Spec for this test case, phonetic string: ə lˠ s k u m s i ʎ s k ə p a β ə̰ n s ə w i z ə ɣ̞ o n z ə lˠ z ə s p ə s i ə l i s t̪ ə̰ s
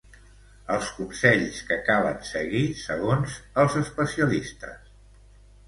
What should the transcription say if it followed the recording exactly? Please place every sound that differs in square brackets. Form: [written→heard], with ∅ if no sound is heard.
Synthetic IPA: ə lˠ s k u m s [i→ɛ] ʎ s k ə [p→k] a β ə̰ n s ə [w→ɣ] i [z→s] ə ɣ̞ o n z ə lˠ z ə s p ə s i ə l i s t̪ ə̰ s